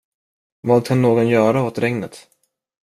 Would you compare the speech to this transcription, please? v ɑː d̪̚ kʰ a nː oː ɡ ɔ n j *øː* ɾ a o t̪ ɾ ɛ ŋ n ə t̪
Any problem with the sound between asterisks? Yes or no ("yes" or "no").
yes